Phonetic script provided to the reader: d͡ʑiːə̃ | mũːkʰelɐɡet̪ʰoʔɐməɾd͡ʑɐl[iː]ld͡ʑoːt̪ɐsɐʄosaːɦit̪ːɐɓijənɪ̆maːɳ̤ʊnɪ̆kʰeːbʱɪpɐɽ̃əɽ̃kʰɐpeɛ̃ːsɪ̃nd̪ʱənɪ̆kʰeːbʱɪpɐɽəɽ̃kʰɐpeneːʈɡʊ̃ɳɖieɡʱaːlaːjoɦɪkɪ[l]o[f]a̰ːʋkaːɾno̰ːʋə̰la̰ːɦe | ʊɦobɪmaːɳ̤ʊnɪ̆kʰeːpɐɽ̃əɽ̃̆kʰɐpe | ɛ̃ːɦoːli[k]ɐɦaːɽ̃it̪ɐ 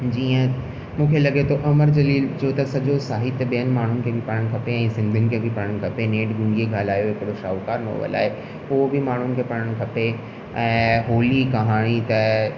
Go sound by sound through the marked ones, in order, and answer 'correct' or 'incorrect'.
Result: correct, incorrect: ɽ, incorrect: ʃ, correct

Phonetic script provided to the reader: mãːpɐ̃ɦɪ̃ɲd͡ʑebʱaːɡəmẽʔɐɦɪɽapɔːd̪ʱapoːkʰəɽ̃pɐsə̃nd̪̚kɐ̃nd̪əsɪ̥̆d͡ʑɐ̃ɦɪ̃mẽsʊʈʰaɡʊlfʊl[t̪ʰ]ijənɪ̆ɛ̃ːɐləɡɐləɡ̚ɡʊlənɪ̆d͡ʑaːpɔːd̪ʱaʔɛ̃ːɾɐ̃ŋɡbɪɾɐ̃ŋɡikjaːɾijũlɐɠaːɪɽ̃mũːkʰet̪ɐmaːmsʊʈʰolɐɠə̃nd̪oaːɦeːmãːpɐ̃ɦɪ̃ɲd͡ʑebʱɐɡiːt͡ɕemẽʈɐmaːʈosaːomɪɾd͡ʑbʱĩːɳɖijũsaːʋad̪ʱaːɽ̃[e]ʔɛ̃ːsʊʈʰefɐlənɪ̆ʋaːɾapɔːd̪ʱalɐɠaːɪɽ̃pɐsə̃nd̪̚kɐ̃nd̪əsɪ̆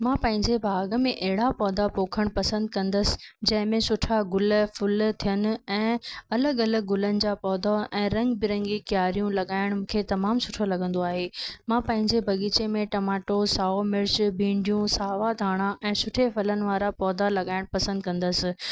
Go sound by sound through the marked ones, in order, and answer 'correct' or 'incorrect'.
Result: correct, incorrect: a

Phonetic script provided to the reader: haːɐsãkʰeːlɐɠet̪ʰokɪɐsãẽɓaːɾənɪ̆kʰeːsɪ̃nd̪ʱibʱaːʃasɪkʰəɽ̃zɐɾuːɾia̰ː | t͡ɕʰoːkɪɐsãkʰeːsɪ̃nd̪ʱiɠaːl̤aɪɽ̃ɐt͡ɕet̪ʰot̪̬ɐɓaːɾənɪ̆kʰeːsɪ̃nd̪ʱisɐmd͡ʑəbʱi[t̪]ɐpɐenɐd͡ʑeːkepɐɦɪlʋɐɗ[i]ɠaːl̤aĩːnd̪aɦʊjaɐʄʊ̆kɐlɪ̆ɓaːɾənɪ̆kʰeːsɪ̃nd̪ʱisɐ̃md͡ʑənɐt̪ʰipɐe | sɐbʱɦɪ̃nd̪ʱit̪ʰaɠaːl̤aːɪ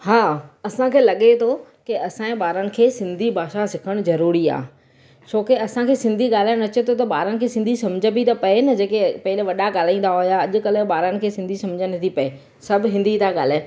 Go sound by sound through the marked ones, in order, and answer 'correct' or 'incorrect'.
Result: correct, incorrect: a

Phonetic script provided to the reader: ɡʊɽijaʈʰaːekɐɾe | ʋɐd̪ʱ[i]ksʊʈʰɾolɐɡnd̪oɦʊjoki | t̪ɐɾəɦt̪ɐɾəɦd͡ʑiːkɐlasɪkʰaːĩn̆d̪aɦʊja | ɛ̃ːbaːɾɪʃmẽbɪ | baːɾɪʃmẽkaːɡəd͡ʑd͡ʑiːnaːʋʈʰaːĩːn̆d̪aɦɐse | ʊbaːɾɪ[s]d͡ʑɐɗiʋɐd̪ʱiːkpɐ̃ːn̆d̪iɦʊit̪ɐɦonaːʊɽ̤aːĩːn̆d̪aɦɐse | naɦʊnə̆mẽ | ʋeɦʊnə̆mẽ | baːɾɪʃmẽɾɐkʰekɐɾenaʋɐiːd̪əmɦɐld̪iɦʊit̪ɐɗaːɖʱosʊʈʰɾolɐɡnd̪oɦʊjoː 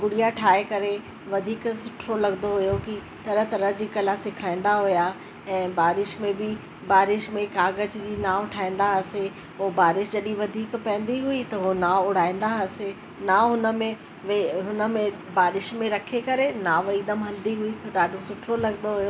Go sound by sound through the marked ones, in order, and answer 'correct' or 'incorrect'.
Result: incorrect: iː, incorrect: ʃ

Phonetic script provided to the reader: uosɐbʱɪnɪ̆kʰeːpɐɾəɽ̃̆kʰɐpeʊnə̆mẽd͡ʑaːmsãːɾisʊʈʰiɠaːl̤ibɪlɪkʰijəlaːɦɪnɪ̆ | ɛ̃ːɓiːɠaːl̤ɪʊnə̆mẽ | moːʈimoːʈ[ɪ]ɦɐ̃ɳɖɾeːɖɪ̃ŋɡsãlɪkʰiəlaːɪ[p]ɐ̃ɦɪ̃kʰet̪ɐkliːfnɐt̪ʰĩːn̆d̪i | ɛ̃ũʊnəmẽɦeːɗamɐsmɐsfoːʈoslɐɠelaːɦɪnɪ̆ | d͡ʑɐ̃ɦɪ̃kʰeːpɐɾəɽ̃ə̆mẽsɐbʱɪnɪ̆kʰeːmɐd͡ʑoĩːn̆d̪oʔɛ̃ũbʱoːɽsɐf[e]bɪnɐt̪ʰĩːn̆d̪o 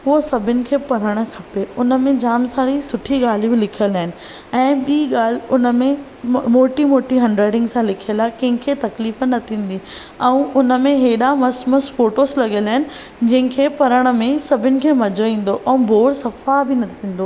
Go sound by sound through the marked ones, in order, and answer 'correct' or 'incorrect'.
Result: incorrect: i, incorrect: k, incorrect: a

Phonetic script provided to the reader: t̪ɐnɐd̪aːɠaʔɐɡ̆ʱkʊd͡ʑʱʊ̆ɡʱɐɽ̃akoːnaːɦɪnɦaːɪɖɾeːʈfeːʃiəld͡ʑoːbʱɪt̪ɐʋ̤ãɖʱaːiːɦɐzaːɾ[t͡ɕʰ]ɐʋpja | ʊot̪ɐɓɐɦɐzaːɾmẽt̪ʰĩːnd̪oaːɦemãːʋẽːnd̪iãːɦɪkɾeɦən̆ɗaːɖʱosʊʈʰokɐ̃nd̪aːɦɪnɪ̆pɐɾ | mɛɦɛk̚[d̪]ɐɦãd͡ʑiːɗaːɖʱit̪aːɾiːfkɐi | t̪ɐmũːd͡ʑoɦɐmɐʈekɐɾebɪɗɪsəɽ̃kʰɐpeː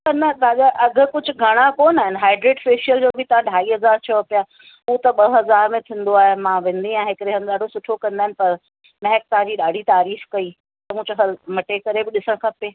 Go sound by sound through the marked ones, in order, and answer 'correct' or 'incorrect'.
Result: correct, incorrect: t̪

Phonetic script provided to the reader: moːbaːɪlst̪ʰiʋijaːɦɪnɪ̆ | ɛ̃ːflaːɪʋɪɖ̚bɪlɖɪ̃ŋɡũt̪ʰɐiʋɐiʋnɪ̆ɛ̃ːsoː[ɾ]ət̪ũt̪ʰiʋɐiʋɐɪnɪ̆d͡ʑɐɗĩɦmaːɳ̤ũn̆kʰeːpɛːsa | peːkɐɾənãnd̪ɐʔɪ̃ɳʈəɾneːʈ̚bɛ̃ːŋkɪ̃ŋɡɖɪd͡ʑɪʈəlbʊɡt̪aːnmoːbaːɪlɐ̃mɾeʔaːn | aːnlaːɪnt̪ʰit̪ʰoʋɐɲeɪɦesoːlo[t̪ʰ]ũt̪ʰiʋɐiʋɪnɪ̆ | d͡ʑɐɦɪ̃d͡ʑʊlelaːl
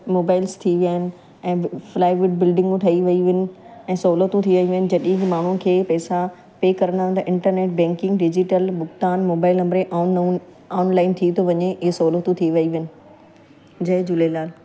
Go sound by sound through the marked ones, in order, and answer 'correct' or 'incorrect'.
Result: incorrect: l, incorrect: t̪

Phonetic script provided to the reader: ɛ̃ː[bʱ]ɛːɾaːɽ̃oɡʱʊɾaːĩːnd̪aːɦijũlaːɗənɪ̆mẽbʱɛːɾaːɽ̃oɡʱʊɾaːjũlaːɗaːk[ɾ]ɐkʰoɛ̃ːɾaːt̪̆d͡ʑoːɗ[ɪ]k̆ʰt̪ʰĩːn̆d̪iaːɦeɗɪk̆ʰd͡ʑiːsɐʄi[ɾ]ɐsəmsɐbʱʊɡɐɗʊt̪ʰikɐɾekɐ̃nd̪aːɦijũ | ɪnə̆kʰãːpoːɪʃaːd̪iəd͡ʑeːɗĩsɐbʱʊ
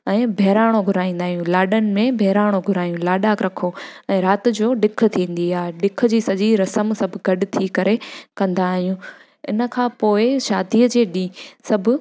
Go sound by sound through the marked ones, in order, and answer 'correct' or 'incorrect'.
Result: correct, correct, correct, correct

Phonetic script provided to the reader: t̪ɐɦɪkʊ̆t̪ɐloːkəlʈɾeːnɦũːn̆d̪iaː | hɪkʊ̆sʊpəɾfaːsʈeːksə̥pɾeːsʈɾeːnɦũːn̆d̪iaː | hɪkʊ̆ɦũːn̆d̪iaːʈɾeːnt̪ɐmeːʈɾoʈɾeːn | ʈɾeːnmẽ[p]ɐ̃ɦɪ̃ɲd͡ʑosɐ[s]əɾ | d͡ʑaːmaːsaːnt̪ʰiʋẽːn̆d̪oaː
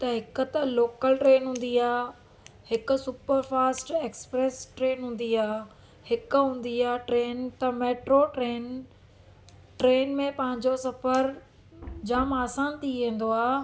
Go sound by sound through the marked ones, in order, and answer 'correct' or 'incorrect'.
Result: correct, incorrect: f

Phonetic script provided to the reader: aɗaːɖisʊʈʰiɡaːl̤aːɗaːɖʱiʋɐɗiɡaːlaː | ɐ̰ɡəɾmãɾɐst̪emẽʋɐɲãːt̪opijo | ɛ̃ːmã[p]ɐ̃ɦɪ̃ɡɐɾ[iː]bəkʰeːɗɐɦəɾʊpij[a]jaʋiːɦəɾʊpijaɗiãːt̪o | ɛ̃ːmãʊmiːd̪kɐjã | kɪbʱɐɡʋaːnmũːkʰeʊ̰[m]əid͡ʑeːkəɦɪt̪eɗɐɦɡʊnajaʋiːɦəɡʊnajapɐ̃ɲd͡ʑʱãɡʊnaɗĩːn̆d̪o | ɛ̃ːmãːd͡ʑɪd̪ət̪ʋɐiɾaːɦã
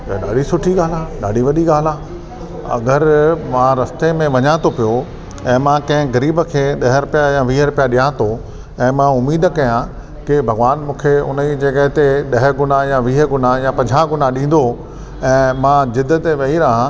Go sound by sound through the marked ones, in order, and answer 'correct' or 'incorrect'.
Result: incorrect: k, correct, correct, incorrect: n

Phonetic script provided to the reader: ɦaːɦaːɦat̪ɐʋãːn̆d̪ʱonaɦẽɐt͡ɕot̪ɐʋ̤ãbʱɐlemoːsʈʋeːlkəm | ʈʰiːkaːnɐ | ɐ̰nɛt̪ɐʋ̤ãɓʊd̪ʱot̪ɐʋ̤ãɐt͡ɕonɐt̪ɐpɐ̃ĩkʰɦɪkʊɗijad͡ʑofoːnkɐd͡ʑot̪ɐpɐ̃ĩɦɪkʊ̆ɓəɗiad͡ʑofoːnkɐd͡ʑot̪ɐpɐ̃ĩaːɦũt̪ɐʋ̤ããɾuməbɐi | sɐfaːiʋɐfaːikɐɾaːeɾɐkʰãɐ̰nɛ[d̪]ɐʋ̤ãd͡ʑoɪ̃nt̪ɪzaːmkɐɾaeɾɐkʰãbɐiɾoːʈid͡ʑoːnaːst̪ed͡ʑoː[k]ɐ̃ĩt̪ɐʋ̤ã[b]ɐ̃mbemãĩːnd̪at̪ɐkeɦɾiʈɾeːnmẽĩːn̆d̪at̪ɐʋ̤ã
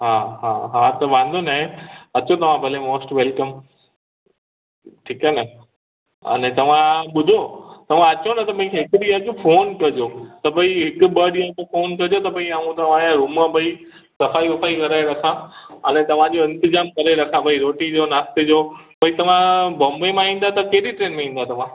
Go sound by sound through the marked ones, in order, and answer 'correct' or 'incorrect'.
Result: incorrect: t̪, incorrect: p, correct

